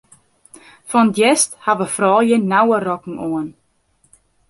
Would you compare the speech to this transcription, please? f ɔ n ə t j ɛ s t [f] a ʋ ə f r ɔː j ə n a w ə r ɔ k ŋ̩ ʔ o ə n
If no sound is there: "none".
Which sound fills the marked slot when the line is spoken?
h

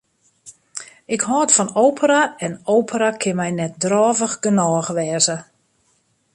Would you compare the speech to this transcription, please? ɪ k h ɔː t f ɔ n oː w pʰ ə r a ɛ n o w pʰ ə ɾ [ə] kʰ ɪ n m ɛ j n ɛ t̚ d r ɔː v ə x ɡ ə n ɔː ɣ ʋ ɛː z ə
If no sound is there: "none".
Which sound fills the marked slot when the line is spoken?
a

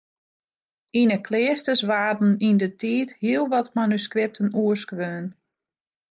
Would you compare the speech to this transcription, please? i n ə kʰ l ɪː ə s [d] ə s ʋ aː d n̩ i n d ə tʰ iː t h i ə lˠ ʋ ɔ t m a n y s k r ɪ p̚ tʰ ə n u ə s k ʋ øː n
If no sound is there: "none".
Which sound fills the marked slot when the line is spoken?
t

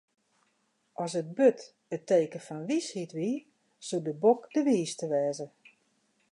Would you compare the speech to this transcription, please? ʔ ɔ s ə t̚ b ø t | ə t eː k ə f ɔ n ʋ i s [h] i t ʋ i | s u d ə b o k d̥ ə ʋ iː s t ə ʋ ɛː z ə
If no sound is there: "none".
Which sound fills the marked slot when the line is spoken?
h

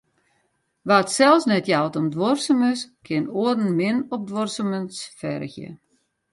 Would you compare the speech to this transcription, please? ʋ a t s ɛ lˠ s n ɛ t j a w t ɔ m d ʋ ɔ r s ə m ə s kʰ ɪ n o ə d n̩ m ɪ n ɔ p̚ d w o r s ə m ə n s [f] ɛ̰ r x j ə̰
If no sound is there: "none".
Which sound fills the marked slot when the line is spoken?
f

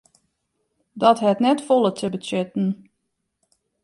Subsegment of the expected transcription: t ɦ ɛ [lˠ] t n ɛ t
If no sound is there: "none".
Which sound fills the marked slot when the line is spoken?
none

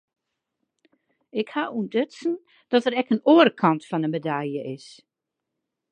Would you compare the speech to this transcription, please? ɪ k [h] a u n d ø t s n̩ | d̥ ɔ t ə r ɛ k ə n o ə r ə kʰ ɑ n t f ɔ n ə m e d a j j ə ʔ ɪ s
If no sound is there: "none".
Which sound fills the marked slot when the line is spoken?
h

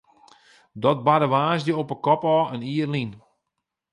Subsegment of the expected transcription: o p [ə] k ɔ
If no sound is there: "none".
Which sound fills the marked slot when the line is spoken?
ə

